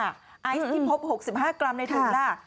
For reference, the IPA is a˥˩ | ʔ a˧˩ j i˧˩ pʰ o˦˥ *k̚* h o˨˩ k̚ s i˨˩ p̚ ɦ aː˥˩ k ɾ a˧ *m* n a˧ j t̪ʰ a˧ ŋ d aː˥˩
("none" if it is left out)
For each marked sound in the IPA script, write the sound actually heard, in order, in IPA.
p̚, m

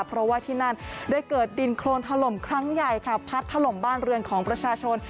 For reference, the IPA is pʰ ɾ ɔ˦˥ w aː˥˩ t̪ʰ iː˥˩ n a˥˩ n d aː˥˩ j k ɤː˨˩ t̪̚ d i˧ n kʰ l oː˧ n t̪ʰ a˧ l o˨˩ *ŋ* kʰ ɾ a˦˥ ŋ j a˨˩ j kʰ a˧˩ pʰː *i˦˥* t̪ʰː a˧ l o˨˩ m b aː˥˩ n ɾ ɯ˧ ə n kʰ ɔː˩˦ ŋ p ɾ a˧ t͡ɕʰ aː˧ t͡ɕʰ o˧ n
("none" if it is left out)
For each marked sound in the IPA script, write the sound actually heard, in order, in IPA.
m, a˦˥

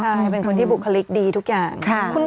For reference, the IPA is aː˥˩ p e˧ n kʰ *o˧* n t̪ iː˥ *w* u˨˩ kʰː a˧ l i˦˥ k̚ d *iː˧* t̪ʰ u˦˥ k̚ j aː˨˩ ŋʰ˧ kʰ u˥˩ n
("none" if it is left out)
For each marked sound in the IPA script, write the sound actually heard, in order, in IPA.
o˧, b, iː˧

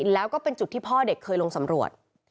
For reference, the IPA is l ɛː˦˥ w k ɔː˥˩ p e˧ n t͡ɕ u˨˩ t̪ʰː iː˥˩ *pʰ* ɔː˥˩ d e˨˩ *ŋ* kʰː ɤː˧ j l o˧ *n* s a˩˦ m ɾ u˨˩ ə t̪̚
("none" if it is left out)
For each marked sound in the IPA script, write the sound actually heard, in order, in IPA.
pʰ, none, ŋ

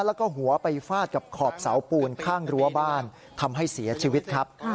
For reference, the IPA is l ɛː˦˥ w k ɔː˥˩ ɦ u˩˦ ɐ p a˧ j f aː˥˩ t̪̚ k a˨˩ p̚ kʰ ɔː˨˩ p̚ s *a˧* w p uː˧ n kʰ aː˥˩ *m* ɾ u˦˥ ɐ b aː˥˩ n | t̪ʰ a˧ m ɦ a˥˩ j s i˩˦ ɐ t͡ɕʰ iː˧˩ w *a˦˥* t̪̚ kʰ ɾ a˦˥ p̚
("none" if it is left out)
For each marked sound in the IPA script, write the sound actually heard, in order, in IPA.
a˩˦, ŋ, i˦˥

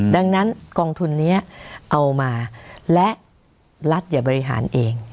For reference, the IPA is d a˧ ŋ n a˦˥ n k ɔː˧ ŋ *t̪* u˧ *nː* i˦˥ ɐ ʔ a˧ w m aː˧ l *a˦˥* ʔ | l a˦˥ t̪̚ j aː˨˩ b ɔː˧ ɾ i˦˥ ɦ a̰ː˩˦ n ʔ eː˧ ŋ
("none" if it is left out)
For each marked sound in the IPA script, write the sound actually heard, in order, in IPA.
t̪ʰ, nː, ɛ˦˥

